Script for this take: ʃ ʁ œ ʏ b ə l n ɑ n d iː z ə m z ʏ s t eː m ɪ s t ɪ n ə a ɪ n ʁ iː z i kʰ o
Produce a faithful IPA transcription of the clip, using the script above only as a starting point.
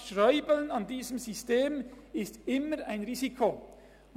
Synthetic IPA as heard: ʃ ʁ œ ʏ b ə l n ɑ n d iː z ə m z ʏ s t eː m ɪ s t ɪ m ə a ɪ n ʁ iː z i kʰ o

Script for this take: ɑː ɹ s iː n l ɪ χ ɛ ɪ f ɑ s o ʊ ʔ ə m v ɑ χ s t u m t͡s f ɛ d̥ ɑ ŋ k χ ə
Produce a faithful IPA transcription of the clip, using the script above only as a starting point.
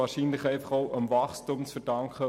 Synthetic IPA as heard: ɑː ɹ ʃ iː n l ɪ χ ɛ ɪ f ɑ χ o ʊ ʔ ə m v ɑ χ s t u m t͡s f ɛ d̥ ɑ ŋ k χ ə

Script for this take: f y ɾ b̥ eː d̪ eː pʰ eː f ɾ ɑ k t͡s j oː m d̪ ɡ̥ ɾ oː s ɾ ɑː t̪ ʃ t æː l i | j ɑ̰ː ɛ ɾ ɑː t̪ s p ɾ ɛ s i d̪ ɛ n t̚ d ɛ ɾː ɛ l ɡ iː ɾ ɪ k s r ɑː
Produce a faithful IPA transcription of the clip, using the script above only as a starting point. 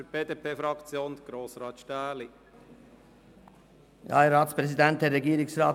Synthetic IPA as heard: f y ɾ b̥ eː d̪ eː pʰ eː f ɾ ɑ k t͡s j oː n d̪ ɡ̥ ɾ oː s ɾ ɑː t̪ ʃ t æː l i | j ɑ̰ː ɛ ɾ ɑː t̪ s p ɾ ɛ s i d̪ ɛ n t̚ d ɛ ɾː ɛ ɡ iː ɾ ɪ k s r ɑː

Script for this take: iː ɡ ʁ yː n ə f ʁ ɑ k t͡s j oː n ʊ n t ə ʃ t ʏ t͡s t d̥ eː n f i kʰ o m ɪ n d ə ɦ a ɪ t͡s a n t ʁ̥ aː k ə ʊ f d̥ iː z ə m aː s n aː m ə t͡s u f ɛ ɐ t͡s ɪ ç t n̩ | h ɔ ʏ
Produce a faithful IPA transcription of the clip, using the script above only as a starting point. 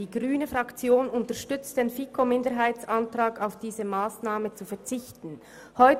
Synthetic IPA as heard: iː ɡ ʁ yː n ə f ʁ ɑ k t͡s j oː n ʊ n t ə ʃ t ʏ t͡s t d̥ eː n f i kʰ o m ɪ n d ə ɦ a ɪ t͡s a n t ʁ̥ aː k a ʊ f d̥ iː z ə m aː s n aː m ə t͡s u f ɛ ɐ t͡s ɪ ç t n̩ | h ɔ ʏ

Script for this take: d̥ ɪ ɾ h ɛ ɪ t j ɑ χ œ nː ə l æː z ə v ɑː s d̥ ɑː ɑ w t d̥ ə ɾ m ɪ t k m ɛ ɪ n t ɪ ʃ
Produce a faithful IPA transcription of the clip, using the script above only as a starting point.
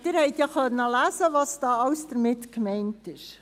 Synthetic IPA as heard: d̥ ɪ ɾ h ɛ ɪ t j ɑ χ œ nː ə l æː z ə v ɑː s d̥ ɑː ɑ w s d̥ ə ɾ m ɪ t k m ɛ ɪ n t ɪ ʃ

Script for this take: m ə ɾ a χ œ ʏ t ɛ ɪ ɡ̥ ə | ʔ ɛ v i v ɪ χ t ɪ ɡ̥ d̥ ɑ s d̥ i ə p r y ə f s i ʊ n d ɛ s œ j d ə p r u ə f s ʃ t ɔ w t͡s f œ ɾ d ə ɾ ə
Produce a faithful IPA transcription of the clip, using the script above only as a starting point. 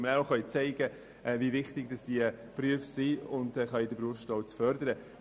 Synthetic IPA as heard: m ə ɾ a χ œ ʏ t͡s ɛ ɪ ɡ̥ ə | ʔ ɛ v i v ɪ χ t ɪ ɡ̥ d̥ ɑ s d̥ i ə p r y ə f s i ʊ n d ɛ χ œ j d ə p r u ə f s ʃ t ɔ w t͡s f œ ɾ d ə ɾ ə

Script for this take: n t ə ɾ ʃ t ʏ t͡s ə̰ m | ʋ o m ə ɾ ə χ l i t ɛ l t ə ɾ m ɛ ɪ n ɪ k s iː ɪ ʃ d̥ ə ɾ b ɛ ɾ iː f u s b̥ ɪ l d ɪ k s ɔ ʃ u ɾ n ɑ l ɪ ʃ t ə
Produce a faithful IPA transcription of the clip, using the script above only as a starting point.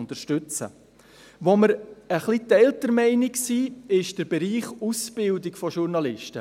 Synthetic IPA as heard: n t ə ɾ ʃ t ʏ t͡s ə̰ | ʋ o m ə ɾ ə χ l i t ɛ l t ə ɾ m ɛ ɪ n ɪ k s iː ɪ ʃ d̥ ə ɾ b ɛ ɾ iː χ u s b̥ ɪ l d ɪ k f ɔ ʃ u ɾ n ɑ l ɪ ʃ t ə

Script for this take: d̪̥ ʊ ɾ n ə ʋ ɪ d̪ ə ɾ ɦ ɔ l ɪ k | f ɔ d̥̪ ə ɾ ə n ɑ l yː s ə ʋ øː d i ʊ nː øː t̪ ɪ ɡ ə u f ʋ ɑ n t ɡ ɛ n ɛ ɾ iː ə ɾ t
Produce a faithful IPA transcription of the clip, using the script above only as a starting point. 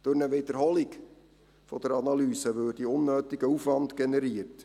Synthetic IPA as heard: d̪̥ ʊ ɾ n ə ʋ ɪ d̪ ə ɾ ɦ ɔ l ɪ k | f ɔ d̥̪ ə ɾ ɑ n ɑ l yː s ə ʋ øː d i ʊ nː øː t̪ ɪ ɡ ə u f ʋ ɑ n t ɡ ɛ n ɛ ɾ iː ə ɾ t

